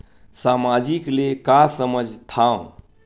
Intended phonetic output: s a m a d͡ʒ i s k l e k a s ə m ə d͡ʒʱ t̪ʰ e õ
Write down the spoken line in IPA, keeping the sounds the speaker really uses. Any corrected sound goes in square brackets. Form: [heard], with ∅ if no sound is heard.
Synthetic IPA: s a m a d͡ʒ i [∅] k l e k a s ə m ə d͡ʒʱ t̪ʰ [a] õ